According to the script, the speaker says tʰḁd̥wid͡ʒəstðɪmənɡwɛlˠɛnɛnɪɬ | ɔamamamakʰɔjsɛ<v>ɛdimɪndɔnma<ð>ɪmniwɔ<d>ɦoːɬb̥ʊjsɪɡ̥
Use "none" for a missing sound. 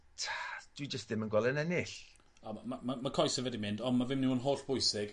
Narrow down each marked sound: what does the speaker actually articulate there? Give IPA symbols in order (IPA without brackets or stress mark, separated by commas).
v, v, n